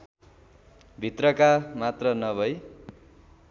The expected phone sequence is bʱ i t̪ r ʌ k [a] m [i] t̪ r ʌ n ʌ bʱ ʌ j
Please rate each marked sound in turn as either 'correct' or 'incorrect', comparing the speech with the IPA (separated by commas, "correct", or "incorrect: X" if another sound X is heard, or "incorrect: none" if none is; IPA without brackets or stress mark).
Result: correct, incorrect: a